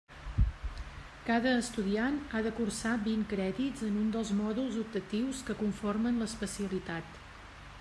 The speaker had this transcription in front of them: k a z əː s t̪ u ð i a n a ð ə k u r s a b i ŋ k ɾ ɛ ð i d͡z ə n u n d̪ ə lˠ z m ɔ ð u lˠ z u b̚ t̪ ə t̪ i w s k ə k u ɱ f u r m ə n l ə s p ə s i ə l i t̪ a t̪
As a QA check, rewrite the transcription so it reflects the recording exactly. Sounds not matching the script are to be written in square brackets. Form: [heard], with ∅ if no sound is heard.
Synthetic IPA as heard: k a [ð] əː s t̪ u ð i a n a ð ə k u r s a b i ŋ k ɾ ɛ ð i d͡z ə n u n d̪ ə lˠ z m ɔ ð u lˠ z u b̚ t̪ ə t̪ i w s k ə k u ɱ f [o] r m ə n l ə s p ə s i ə l i t̪ a t̪

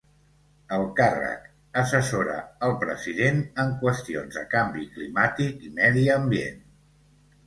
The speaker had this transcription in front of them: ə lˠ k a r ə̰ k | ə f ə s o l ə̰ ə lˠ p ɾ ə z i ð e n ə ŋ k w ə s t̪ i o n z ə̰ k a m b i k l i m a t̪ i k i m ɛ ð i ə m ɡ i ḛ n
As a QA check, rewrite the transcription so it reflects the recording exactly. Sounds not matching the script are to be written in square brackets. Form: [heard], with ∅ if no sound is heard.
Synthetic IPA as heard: ə lˠ k a r ə̰ k | ə [s] ə s o [ɾ] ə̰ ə lˠ p ɾ ə z i ð e n ə ŋ k w ə s t̪ i o n z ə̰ k a m b i k l i m a t̪ i k i m ɛ ð i ə m [b] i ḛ n

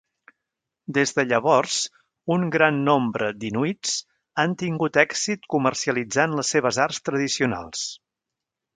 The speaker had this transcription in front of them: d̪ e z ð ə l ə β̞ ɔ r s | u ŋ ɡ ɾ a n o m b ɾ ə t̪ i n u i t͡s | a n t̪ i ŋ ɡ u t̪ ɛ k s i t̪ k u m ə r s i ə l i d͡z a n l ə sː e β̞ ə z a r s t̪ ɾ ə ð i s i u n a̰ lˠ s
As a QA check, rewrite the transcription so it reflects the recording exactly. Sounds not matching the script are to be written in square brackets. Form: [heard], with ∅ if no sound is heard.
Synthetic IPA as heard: d̪ e z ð ə [ʎ] ə β̞ ɔ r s | u ŋ ɡ ɾ a [nː] o m b ɾ ə [d̪] i n u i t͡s | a n t̪ i ŋ ɡ u t̪ ɛ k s i t̪ k u m ə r s i ə l i d͡z a n l ə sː e β̞ ə z a r s t̪ ɾ ə ð i s i u n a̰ lˠ s

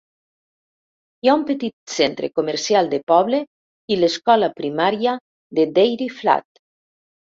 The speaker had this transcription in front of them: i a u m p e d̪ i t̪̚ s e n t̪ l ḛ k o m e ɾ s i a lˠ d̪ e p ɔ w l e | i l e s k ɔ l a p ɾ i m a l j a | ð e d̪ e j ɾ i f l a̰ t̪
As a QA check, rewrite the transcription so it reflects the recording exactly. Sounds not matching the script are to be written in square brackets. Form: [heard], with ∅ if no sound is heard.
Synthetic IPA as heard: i a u m p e [t̪] i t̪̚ s e n t̪ [ɾ] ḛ k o m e ɾ s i a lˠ d̪ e p ɔ [β] l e | i l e s k ɔ l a p ɾ i m a [ɾ] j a | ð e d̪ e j ɾ i f l a̰ t̪

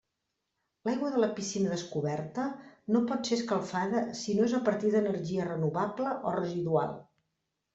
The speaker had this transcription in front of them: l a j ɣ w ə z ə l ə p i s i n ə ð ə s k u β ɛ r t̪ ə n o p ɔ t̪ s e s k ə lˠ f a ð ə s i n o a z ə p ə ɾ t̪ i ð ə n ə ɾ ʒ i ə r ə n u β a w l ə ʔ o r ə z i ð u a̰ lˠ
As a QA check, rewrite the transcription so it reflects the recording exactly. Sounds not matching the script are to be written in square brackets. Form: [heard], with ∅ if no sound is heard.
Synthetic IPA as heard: l a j ɣ w ə [ð] ə l ə p i s i n ə ð ə s k u β ɛ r t̪ ə n o p ɔ t̪ s e s k ə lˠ f a ð ə s i n o [e] z ə p ə ɾ t̪ i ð ə n ə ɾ ʒ i ə r ə n u β a [b] l ə ʔ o r ə z i ð u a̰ lˠ

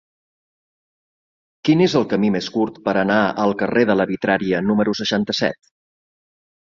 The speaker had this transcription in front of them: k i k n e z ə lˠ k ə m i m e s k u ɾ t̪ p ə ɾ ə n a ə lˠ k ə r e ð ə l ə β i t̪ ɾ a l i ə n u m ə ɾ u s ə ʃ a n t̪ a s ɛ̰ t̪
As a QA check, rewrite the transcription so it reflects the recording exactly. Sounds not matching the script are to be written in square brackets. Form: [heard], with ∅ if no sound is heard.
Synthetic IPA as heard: k i [∅] n e z ə lˠ k ə m i m e s k u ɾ t̪ p ə ɾ ə n a ə lˠ k ə r e ð ə l ə β i t̪ ɾ a [ɾ] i ə n u m ə ɾ u s ə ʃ a n t̪ [ə] s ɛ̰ t̪

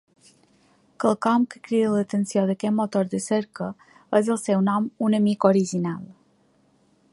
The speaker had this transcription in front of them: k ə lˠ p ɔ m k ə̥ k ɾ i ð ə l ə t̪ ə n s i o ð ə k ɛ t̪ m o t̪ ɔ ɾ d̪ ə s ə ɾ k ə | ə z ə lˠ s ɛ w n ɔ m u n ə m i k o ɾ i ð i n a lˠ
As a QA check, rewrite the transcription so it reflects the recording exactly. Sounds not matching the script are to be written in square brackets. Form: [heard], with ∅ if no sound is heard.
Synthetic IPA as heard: k ə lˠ [k] ɔ m k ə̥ k ɾ i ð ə l ə t̪ ə n s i o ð ə k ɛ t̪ m o t̪ [o] ɾ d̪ ə s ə ɾ k ə | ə z ə lˠ s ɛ w n ɔ m u n ə m i k o ɾ i [ʒ] i n a lˠ

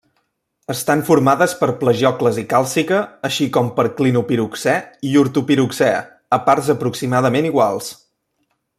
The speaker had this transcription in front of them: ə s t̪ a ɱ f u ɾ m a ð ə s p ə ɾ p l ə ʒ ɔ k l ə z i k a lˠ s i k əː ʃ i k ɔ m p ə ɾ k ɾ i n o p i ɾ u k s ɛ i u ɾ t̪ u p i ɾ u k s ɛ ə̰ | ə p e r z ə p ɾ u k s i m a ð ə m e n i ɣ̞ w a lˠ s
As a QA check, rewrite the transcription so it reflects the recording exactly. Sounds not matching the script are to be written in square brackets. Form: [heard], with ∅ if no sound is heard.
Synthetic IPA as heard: ə s t̪ a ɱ f u ɾ m a ð ə s p ə ɾ p l ə ʒ ɔ k l ə z i k a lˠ s i k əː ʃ i k ɔ m p ə ɾ k [l] i n [u] p i ɾ u k s ɛ i u ɾ t̪ u p i ɾ u k s ɛ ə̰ | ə p [a] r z ə p ɾ u k s i m a ð ə m e n i ɣ̞ w a lˠ s

